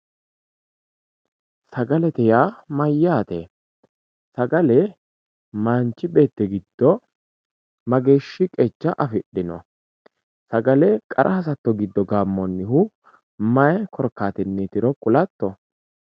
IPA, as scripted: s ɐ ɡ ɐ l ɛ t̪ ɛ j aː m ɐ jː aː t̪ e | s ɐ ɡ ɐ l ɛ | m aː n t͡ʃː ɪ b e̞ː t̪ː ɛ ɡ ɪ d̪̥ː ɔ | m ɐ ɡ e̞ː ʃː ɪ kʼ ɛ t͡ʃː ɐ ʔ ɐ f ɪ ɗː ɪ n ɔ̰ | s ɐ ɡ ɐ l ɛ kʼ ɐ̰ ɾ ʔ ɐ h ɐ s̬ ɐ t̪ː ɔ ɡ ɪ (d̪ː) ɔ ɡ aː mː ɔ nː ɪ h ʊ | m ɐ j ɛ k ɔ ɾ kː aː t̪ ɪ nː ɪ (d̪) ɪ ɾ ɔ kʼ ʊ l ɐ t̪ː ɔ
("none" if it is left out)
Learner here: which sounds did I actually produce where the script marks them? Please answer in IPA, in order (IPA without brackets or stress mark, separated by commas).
d̪ː, t̪